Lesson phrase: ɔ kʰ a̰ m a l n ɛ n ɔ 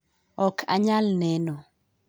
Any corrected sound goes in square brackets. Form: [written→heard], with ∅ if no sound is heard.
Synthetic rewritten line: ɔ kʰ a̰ [m→ɲ] a l n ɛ n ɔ